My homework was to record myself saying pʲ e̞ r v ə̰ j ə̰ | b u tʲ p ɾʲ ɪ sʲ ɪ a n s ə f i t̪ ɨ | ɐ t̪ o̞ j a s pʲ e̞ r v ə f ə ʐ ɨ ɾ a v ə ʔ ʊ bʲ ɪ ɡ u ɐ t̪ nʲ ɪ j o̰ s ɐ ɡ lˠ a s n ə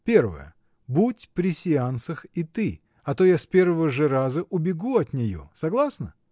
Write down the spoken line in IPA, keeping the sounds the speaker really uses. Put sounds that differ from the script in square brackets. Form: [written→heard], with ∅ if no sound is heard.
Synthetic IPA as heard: pʲ e̞ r v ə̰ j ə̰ | b u tʲ p ɾʲ ɪ sʲ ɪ a n s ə [f→x] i t̪ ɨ | ɐ t̪ o̞ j a s pʲ e̞ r v ə [f→v] ə ʐ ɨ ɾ a [v→z] ə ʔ ʊ bʲ ɪ ɡ u ɐ t̪ nʲ ɪ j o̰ s ɐ ɡ lˠ a s n ə